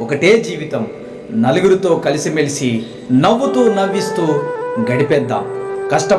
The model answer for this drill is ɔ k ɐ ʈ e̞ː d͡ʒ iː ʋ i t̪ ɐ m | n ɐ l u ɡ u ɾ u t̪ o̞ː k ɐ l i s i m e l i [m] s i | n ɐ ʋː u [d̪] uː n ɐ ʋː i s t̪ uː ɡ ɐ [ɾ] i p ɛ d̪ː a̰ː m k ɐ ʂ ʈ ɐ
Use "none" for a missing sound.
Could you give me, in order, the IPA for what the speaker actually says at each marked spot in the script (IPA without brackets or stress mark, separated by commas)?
none, t̪, ɽ